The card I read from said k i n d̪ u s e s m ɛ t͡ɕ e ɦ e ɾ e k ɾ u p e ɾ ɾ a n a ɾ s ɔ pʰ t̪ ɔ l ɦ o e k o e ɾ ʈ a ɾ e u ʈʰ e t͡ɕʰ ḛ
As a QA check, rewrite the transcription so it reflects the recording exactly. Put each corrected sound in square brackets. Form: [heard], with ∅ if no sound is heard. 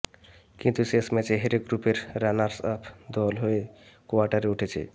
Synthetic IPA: k i n [t̪] u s e s m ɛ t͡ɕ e ɦ e ɾ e [ɡ] ɾ u p e ɾ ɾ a n a ɾ s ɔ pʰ [d̪] ɔ l ɦ o e k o [a] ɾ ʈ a ɾ e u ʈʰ e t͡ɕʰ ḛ